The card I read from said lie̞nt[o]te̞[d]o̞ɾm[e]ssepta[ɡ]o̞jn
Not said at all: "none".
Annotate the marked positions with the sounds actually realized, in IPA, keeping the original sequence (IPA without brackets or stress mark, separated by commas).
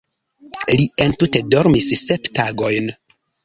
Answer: u, d, i, ɡ